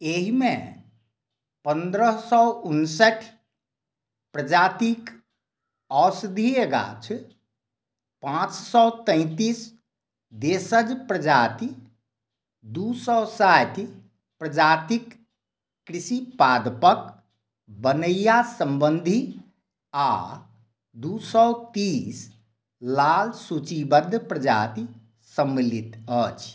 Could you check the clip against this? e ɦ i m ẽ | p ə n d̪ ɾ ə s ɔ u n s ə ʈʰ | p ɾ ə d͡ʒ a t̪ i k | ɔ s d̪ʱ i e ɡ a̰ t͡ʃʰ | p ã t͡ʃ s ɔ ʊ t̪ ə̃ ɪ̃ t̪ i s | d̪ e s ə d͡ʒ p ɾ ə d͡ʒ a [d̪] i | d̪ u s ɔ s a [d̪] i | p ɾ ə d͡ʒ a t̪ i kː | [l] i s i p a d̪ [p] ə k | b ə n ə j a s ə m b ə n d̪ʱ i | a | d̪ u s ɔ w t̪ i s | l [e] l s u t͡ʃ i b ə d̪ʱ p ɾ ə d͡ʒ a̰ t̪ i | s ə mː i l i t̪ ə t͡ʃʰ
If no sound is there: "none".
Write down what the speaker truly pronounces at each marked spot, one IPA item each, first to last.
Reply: t̪, t̪, ɾ, p, a

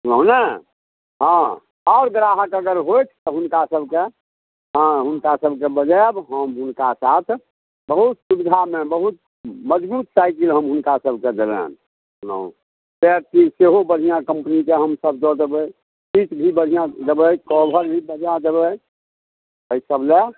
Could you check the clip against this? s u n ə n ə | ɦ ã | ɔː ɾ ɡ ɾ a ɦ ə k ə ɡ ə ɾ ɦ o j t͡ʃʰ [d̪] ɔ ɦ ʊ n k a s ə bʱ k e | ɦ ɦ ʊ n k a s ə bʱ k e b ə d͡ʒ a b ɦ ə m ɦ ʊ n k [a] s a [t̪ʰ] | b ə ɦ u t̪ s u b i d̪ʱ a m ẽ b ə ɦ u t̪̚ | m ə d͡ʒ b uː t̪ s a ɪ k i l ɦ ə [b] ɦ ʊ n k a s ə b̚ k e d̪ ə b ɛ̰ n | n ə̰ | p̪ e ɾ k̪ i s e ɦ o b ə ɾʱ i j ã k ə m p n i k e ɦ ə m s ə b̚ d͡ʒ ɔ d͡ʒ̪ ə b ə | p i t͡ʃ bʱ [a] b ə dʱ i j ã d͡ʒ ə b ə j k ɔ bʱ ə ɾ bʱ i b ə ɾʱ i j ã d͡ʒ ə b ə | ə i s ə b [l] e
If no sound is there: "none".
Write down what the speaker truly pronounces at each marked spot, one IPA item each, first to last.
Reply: t̪, a, t̪ʰ, m, i, l

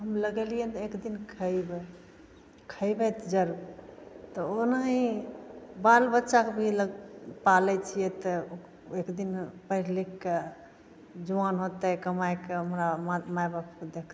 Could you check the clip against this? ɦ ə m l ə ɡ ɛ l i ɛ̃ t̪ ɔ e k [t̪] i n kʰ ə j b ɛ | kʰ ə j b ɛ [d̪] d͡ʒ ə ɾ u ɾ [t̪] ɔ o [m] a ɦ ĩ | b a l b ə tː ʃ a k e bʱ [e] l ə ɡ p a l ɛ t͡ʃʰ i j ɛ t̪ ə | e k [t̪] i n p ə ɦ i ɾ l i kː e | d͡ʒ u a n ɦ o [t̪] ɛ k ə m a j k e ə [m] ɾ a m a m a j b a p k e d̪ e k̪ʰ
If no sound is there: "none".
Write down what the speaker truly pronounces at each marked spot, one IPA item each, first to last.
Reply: d̪, t̪, t̪, n, i, d̪, t̪, m

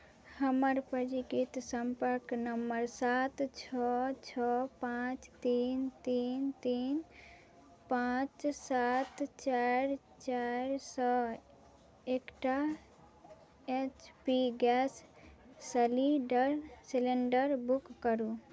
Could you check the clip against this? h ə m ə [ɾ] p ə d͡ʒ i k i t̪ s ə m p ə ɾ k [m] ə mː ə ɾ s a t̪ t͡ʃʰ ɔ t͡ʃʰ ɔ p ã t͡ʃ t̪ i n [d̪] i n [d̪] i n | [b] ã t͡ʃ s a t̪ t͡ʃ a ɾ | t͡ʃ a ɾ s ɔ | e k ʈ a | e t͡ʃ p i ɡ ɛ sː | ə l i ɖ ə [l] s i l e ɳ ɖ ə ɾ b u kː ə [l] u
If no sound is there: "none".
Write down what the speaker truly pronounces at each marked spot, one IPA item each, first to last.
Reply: ɾ, n, t̪, t̪, p, ɾ, ɾ

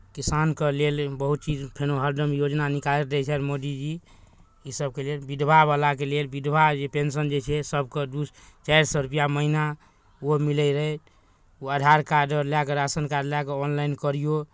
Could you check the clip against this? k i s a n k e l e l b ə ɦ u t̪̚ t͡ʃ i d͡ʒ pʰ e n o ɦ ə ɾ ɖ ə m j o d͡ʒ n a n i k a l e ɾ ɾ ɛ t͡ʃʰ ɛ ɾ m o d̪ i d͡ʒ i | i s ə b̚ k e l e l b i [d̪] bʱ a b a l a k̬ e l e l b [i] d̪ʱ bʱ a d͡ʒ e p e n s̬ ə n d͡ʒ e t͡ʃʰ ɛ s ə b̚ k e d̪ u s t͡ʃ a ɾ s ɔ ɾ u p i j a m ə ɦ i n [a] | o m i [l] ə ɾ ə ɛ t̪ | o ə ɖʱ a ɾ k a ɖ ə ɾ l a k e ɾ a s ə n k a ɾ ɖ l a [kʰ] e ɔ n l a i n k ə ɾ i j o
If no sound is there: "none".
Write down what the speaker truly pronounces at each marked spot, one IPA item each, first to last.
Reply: d̪, i, a, l, k

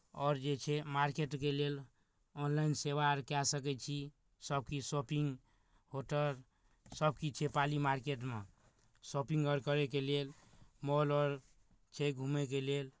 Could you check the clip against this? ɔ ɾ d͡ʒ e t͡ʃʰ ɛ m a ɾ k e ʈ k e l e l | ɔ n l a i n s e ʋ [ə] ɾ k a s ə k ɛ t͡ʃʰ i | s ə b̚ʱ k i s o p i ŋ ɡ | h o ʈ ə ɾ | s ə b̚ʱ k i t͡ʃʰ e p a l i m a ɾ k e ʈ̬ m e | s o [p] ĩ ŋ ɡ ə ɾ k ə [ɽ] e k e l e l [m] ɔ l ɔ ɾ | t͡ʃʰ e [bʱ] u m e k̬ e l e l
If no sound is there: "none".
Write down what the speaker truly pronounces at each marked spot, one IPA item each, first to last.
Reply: a, p, ɾ, m, ɡʱ

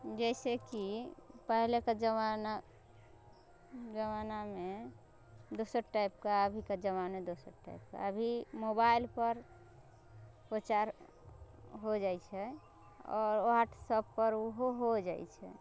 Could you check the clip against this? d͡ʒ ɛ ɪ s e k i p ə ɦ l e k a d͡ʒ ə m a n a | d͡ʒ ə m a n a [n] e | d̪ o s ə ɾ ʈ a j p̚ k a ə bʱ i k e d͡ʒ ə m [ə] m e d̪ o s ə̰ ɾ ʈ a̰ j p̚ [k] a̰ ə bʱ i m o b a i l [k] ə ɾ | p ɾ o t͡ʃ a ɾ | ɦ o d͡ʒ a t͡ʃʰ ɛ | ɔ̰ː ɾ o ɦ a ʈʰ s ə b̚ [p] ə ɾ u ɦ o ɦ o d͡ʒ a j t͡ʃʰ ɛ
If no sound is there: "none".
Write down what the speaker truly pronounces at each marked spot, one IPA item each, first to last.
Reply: m, a, k, p, p

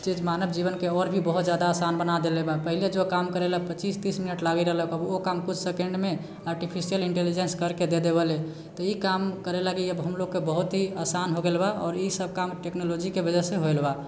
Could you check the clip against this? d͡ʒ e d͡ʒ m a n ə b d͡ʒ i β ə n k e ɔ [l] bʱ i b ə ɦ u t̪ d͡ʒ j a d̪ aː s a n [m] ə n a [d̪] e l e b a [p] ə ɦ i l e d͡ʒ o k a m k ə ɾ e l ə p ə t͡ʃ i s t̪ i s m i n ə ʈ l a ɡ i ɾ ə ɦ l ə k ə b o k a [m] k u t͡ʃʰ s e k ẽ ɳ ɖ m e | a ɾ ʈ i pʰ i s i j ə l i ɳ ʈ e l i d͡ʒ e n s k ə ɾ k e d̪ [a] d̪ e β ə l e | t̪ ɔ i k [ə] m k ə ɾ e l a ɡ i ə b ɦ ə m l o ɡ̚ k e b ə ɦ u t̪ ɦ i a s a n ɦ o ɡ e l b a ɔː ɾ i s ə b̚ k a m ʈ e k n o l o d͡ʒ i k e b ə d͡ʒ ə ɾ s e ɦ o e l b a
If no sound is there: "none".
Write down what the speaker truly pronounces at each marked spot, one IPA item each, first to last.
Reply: ɾ, b, d̪, p, m, e, a

